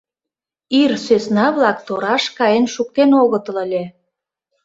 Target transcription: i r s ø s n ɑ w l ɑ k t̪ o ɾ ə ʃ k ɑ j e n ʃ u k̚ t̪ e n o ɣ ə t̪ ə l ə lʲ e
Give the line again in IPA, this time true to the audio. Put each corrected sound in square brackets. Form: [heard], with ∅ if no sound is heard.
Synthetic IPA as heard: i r s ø s n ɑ [β] l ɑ k t̪ o ɾ [ɑ] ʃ k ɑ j e n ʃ u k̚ t̪ e n o ɣ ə t̪ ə l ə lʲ e

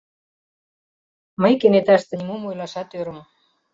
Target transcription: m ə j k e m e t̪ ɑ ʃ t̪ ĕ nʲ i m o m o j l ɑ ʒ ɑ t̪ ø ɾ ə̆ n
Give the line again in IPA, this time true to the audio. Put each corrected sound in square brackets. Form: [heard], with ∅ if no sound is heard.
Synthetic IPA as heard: m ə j k e [n] e t̪ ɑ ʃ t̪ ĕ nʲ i m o m o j l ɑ [ʃ] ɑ t̪ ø ɾ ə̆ [m]

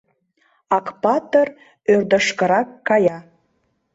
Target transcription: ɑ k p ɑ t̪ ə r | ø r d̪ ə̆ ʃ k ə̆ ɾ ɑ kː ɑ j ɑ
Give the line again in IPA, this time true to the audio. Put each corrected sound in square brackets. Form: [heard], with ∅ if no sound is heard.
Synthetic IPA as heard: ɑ k p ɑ t̪ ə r | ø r d̪ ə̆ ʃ k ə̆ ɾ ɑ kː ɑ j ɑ

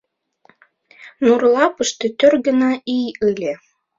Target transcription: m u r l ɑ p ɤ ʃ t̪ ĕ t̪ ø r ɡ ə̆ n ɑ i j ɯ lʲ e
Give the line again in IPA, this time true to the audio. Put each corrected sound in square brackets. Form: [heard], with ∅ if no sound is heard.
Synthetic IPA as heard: [n] u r l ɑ p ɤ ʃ t̪ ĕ t̪ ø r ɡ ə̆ n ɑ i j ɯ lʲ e

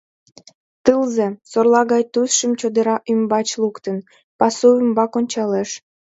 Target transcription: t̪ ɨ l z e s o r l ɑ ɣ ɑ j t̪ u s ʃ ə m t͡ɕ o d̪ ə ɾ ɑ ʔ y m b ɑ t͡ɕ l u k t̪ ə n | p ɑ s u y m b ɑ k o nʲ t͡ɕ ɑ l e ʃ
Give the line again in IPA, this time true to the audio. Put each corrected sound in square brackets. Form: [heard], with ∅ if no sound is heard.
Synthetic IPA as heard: t̪ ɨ l z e s o r l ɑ ɣ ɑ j t̪ u s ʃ ə m t͡ɕ o d̪ ə ɾ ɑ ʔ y m b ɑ t͡ɕ l u k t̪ ə n | p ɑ s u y m b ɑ k o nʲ t͡ɕ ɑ l e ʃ

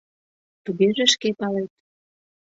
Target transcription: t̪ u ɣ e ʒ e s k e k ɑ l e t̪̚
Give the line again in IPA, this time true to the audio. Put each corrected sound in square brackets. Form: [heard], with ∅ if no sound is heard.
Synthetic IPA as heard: t̪ u ɣ e ʒ e [ʃ] k e [p] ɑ l e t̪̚

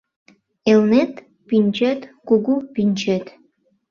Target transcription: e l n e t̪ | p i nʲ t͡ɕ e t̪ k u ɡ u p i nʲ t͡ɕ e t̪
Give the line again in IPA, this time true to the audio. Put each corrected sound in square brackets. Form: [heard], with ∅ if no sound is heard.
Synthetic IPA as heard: e l n e t̪ | p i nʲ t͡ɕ e t̪ k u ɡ u p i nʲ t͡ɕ e t̪

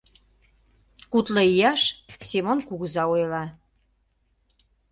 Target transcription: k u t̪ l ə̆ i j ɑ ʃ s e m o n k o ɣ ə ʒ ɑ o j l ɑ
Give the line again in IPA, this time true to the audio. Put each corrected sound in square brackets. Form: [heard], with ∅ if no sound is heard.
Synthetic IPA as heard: k u t̪ l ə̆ i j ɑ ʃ s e m o n k [u] ɣ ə [z] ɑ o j l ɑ

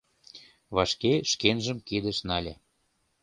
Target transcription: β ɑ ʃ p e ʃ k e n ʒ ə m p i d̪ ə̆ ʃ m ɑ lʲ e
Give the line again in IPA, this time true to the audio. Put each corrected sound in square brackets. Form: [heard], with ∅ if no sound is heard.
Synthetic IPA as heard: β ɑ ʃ [k] e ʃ k e n ʒ ə m [k] i d̪ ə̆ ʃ [n] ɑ lʲ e

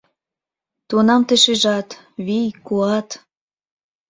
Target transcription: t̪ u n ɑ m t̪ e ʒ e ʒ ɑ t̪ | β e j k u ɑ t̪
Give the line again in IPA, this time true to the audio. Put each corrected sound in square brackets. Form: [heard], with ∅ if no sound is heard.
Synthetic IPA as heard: t̪ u n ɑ m t̪ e [ʃ] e ʒ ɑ t̪ | β [i] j k u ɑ t̪

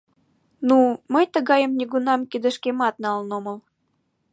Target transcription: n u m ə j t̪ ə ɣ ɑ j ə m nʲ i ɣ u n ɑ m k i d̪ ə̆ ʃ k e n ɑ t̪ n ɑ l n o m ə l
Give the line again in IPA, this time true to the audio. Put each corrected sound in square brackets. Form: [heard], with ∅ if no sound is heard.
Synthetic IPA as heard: n u m ə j t̪ ə ɣ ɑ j ə m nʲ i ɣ u n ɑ m k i d̪ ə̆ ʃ k e [m] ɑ t̪ n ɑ l n o m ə l

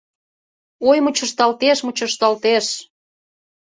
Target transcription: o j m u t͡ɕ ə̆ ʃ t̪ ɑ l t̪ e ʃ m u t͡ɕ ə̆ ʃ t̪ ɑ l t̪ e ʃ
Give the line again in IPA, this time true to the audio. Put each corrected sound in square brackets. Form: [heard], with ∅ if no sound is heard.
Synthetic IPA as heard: o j m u t͡ɕ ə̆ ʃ t̪ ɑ l t̪ e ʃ m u t͡ɕ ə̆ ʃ t̪ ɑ l t̪ e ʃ

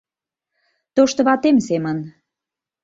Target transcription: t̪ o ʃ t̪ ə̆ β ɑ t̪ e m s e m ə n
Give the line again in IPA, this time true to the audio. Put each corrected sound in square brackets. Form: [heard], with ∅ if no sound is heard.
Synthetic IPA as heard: t̪ o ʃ t̪ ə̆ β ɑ t̪ e m s e m ə n

